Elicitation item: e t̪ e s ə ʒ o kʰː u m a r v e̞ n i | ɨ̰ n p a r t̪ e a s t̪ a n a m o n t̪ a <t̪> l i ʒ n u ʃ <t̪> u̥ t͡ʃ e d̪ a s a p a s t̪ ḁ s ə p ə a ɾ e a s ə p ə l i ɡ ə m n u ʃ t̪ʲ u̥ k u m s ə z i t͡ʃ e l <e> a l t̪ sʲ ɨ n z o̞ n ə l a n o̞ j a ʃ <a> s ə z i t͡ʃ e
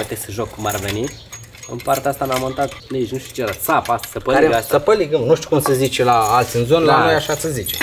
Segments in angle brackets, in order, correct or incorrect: correct, correct, incorrect: a, correct

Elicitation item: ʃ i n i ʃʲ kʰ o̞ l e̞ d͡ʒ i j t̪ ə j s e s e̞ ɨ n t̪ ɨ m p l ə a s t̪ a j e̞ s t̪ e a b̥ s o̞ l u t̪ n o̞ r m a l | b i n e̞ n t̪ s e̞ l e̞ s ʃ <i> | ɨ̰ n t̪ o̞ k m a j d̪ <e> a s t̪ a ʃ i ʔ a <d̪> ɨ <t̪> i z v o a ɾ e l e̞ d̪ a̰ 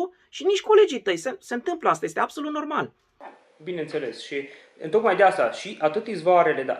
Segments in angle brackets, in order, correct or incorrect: correct, correct, incorrect: t̪, correct

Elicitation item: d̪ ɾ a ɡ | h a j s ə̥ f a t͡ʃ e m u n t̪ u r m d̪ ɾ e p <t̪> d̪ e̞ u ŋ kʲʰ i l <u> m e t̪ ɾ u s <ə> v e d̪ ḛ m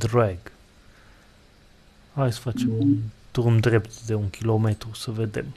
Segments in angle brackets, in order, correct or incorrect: correct, incorrect: o, correct

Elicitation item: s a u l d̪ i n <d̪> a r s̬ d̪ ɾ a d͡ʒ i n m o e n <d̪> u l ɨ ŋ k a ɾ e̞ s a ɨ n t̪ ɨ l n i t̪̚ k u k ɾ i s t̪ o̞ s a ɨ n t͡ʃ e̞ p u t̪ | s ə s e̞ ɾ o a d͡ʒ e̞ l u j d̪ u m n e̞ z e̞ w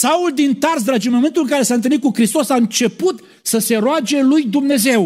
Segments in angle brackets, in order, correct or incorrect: incorrect: t̪, incorrect: t̪

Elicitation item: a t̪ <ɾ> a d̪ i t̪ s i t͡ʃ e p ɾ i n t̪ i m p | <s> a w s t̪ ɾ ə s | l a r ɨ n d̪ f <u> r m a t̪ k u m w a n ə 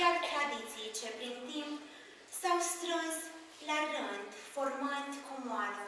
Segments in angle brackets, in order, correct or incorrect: correct, correct, incorrect: o

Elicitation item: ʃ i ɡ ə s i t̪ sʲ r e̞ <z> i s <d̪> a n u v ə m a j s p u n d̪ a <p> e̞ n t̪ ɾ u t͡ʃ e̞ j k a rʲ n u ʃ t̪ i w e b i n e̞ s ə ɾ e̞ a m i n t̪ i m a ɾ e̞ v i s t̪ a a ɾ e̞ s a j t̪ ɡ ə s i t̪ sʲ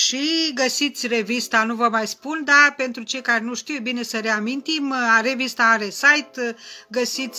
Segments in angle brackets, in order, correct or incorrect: incorrect: v, incorrect: t̪, correct

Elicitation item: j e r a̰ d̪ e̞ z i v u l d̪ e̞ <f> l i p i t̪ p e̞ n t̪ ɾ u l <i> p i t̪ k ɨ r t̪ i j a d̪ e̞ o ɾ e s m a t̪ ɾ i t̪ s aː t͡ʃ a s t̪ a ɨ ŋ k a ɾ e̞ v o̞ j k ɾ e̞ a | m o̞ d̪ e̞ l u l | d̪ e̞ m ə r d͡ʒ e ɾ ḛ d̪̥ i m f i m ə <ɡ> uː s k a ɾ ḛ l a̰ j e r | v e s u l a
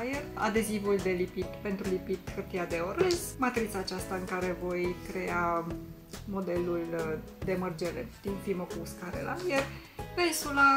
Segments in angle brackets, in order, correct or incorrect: incorrect: none, correct, incorrect: k

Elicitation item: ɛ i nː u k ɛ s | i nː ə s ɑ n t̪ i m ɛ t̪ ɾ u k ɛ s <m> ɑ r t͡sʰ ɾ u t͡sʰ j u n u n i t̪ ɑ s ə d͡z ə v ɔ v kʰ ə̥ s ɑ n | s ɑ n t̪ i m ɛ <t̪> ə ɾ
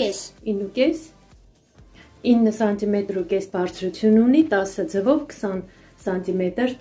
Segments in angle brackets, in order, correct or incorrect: incorrect: b, correct

